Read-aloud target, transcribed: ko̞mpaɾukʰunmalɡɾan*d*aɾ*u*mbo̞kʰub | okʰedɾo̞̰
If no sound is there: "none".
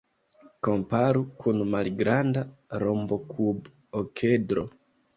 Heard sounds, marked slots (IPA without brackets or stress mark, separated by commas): d, o